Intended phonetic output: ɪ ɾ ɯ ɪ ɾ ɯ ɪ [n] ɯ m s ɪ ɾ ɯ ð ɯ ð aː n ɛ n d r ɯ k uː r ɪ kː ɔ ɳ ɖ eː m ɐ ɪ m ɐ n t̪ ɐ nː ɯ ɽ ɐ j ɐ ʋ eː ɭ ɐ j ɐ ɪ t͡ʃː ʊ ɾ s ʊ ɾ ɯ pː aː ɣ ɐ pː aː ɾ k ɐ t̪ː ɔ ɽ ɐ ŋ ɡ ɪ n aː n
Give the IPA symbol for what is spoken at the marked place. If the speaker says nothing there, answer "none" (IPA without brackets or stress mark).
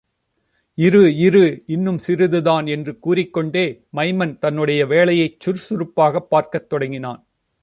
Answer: nː